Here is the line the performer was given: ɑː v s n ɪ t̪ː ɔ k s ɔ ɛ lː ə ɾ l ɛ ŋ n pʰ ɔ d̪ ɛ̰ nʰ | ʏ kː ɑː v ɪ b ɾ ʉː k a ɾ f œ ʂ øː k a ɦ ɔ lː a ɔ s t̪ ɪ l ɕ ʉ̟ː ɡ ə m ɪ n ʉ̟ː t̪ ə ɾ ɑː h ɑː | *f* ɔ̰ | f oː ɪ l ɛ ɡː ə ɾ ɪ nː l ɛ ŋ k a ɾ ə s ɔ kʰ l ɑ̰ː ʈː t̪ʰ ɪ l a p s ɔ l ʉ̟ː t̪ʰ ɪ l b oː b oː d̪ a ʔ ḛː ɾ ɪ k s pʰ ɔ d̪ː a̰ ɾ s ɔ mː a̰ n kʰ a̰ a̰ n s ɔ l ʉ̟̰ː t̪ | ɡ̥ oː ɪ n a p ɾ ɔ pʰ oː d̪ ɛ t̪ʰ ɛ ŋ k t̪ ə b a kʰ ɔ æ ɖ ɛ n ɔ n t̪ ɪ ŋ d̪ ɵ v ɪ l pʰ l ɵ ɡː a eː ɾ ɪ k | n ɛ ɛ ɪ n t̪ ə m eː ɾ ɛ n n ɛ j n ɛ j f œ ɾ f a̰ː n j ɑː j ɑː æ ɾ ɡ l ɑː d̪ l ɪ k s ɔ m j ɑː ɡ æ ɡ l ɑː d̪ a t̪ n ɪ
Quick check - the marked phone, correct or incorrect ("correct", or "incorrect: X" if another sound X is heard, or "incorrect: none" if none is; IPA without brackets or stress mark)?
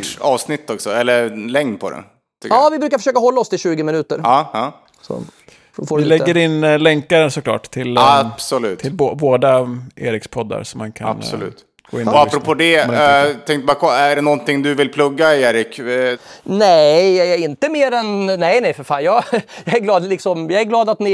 incorrect: s